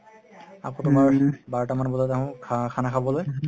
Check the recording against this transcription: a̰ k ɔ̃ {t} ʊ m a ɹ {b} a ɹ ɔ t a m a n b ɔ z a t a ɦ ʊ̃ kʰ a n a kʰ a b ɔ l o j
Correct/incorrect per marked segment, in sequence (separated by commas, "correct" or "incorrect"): correct, correct